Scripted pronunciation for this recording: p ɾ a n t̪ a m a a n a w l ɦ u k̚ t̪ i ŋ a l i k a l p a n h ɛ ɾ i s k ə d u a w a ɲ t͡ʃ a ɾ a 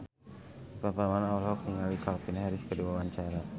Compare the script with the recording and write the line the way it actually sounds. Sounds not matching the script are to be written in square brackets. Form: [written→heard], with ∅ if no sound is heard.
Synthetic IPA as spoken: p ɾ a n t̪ a m a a n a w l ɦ [u→ɔ] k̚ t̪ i ŋ a l i k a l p [a→i] n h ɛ ɾ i s k ə d u a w a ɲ t͡ʃ a ɾ a

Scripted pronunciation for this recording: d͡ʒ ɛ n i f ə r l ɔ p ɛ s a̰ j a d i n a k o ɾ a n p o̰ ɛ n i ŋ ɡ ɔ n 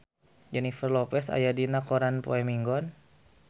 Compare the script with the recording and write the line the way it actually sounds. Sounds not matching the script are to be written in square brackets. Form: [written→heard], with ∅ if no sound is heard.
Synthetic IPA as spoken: d͡ʒ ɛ n i f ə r l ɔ p ɛ s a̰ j a d i n a k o ɾ a n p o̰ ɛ [n→m] i ŋ ɡ ɔ n

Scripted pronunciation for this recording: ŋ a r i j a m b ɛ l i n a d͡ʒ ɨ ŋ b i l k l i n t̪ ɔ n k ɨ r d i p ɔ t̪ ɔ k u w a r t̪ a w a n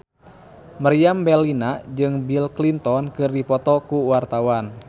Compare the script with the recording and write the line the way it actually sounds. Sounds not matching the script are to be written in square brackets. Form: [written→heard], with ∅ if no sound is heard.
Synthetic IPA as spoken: [ŋ→m] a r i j a m b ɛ l i n a d͡ʒ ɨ ŋ b i l k l i n t̪ ɔ n k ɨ r d i p ɔ t̪ ɔ k u w a r t̪ a w a n

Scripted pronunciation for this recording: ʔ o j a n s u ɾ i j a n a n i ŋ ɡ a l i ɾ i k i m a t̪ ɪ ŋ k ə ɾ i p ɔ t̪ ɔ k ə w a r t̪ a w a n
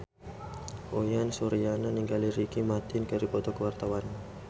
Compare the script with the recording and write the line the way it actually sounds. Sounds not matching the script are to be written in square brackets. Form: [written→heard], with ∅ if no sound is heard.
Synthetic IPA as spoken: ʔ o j a n s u ɾ i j a n a n i ŋ ɡ a l i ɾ i k i m a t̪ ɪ [ŋ→n] k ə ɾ i p ɔ t̪ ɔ k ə w a r t̪ a w a n

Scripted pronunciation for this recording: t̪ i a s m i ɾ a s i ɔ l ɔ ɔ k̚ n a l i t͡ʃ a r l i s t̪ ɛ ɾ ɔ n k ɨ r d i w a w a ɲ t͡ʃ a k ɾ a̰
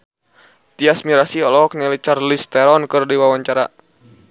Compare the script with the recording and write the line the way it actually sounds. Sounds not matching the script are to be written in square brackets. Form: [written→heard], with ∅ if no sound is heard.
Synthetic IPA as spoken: t̪ i a s m i ɾ a s i ɔ l ɔ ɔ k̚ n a l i t͡ʃ a r l i s t̪ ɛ ɾ ɔ n k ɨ r d i w a w a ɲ t͡ʃ a [k→∅] ɾ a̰

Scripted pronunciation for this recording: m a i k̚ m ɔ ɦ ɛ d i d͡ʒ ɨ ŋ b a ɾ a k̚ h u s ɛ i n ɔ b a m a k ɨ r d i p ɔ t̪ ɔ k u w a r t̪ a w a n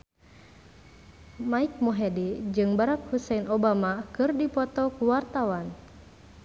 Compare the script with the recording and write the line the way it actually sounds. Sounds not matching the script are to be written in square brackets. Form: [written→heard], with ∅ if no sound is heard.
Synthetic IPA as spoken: m a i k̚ m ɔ ɦ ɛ d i d͡ʒ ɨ ŋ b a ɾ a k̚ h u s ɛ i n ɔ b a m a k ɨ r d i p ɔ t̪ ɔ k u w a r t̪ a w a n

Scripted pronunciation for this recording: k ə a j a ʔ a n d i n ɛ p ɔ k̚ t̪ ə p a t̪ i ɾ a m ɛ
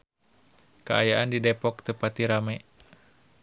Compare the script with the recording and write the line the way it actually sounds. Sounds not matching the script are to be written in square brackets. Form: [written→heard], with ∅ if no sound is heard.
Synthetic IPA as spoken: k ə a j a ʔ a n d i [n→d] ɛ p ɔ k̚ t̪ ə p a t̪ i ɾ a m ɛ

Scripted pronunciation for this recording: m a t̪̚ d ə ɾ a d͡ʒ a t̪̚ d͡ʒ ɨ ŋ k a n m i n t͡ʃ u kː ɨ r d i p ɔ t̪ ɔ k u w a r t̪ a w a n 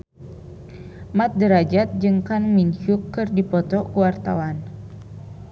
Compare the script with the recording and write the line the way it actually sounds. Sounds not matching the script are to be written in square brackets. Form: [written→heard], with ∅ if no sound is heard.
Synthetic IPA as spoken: m a t̪̚ d ə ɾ a d͡ʒ a t̪̚ d͡ʒ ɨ ŋ k a n m i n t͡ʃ u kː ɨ r d i p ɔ t̪ ɔ k u w a r t̪ a w a n

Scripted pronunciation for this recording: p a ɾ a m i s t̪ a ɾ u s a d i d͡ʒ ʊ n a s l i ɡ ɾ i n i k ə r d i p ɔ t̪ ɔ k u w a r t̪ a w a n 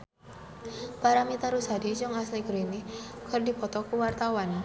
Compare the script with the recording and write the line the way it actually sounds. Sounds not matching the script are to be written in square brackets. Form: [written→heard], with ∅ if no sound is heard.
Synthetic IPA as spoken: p a ɾ a m i [s→∅] t̪ a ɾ u s a d i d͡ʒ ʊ [n→ŋ] a s l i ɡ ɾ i n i k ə r d i p ɔ t̪ ɔ k u w a r t̪ a w a n

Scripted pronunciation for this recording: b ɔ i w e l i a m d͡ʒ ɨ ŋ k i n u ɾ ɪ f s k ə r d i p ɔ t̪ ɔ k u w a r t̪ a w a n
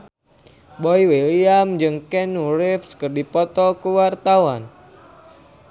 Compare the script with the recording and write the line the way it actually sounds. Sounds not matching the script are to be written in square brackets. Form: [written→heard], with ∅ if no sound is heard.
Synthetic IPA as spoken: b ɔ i w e l i a m d͡ʒ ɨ ŋ k [i→ɛ] n u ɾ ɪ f s k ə r d i p ɔ t̪ ɔ k u w a r t̪ a w a n

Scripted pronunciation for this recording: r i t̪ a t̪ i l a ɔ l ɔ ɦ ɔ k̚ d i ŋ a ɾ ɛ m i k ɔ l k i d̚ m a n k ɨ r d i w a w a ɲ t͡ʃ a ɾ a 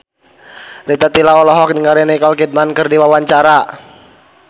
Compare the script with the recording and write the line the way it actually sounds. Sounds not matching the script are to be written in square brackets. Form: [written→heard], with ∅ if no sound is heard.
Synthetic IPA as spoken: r i t̪ a t̪ i l a ɔ l ɔ ɦ ɔ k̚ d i ŋ a ɾ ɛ [m→n] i k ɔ l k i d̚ m a n k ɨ r d i w a w a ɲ t͡ʃ a ɾ a

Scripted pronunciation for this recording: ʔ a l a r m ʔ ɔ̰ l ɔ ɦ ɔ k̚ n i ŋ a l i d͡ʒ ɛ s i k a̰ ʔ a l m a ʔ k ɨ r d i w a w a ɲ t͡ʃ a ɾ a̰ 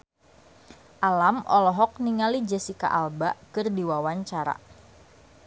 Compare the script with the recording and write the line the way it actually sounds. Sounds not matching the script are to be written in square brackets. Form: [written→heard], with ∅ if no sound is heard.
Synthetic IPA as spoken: ʔ a l a [r→∅] m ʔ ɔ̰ l ɔ ɦ ɔ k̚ n i ŋ a l i d͡ʒ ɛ s i k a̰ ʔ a l [m→b] a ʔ k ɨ r d i w a w a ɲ t͡ʃ a ɾ a̰

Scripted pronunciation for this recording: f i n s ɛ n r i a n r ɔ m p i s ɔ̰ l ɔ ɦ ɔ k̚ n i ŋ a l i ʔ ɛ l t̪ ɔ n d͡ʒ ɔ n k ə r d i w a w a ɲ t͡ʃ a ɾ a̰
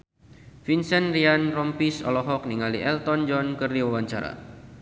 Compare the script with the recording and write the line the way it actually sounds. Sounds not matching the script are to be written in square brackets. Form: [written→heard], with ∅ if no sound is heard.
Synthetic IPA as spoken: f i n s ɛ n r i a n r ɔ m p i s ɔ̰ l ɔ ɦ ɔ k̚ n i ŋ a l i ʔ ɛ l t̪ ɔ n d͡ʒ ɔ n k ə r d i w a w a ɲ t͡ʃ a ɾ a̰

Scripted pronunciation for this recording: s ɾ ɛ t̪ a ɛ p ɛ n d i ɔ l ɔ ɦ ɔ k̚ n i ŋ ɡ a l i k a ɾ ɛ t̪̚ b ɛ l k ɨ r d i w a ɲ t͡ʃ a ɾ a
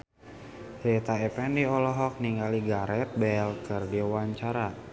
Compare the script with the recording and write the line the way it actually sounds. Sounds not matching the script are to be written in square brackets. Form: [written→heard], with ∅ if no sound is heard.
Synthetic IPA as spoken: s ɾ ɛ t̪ a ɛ p ɛ n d i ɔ l ɔ ɦ ɔ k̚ n i ŋ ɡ a l i [k→ɡ] a ɾ ɛ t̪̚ b ɛ l k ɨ r d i w a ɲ t͡ʃ a ɾ a

